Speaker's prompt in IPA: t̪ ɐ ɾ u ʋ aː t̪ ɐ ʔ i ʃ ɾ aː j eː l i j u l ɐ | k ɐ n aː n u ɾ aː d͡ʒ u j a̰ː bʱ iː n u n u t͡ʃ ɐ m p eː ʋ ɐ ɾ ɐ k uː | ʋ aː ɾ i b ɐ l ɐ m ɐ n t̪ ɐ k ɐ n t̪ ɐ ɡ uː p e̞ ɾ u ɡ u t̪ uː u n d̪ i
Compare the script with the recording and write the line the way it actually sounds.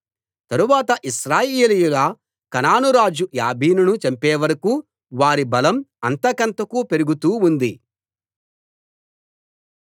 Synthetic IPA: t̪ ɐ ɾ u ʋ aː t̪ ɐ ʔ i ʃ ɾ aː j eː l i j u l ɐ | k ɐ n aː n u ɾ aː d͡ʒ u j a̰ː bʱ iː n u n u t͡ʃ ɐ m p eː ʋ ɐ ɾ ɐ k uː | ʋ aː ɾ i b ɐ l ɐ m ɐ n t̪ ɐ k ɐ n t̪ ɐ k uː p e̞ ɾ u ɡ u t̪ uː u n d̪ i